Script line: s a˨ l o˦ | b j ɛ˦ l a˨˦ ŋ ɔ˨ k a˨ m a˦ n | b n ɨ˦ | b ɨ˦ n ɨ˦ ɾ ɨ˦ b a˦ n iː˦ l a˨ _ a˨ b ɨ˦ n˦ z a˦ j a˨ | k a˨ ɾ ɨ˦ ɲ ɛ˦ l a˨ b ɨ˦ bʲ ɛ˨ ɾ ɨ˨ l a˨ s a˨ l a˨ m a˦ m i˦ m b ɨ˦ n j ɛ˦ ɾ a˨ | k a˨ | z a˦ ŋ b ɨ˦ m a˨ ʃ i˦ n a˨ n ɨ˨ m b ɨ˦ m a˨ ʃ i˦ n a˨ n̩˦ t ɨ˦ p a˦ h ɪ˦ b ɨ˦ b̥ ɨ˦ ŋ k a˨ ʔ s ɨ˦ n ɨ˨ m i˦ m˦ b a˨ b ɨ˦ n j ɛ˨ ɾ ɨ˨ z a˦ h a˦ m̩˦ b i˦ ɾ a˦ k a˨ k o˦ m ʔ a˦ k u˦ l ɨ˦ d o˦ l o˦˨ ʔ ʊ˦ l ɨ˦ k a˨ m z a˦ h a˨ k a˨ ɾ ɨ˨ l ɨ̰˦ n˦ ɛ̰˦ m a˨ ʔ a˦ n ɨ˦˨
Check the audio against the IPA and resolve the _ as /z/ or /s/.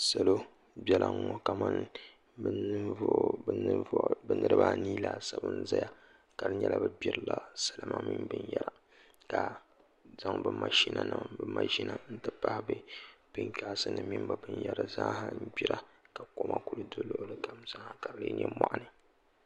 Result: s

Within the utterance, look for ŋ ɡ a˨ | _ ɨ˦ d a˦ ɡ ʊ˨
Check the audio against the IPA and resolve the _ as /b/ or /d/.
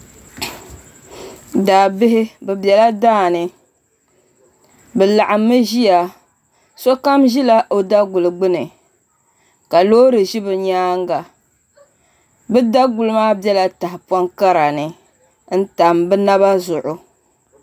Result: b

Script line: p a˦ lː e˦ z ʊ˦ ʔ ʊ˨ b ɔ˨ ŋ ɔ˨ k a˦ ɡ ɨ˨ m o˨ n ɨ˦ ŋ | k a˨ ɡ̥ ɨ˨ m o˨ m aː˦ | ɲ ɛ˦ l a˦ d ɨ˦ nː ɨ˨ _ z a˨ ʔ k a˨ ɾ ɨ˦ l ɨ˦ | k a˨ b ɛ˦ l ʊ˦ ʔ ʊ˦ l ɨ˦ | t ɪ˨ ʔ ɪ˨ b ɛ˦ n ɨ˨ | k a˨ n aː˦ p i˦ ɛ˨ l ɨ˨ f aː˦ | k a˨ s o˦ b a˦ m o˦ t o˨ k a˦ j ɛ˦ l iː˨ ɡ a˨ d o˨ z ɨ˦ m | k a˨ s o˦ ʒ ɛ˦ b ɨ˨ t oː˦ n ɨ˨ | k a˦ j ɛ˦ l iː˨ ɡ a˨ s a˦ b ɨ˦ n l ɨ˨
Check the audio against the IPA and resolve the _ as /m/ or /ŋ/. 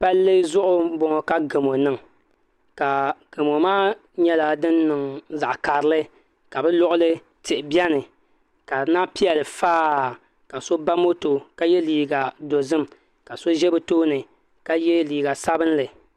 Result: ŋ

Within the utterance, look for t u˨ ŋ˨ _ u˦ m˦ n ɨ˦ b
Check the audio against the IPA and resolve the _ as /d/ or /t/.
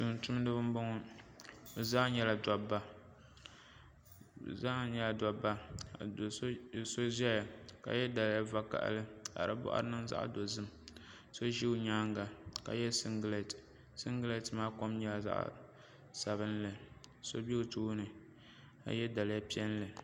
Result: t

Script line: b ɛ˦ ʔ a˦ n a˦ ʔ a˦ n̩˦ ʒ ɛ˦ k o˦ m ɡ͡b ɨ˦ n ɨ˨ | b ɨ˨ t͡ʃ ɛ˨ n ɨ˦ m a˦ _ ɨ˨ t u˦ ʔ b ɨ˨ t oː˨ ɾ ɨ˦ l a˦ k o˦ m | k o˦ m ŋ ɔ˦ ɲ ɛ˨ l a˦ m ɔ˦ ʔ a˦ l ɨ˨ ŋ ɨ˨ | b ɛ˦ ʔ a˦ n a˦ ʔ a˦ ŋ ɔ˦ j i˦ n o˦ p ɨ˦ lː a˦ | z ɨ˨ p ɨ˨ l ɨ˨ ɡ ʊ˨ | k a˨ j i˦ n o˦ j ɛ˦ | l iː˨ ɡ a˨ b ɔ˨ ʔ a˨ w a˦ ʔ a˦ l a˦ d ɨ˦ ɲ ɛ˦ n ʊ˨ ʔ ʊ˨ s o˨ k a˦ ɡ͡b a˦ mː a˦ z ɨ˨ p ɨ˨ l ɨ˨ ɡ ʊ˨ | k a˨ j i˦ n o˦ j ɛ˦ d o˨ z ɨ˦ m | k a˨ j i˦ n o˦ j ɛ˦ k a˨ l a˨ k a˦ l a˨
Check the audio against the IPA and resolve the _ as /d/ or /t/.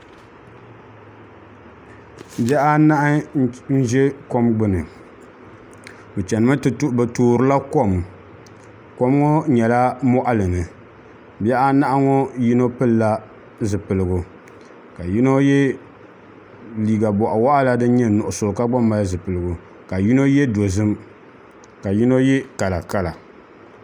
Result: t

